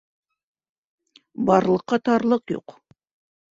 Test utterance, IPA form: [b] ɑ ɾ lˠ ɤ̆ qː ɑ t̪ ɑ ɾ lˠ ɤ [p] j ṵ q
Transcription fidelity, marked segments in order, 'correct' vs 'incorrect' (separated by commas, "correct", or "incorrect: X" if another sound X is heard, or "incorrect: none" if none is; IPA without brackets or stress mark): correct, incorrect: q